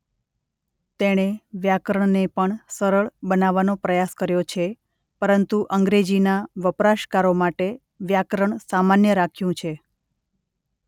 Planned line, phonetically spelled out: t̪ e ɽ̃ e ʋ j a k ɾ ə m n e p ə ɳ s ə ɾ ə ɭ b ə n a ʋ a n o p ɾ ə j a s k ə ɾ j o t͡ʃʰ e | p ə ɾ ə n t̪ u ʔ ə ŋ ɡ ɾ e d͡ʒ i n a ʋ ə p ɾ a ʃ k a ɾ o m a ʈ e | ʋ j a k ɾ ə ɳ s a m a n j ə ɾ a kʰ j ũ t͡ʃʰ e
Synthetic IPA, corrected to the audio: t̪ e ɽ̃ e ʋ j a k ɾ ə ɳ n e p ə ɳ s ə ɾ ə ɭ b ə n a ʋ a n o p ɾ ə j a s k ə ɾ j o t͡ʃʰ e | p ə ɾ ə n t̪ u ʔ ə ŋ ɡ ɾ e d͡ʒ i n a ʋ ə p ɾ a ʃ k a ɾ o m a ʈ e | ʋ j a k ɾ ə ɳ s a m a n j ə ɾ a kʰ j ũ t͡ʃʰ e